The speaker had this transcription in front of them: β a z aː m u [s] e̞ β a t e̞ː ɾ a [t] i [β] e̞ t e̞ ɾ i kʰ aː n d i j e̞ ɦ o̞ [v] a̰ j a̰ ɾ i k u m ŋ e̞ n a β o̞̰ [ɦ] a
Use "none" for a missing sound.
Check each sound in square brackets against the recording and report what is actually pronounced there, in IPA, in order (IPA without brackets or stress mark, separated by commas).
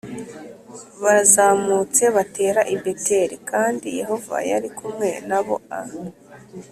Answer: t͡s, ʔ, b, v, none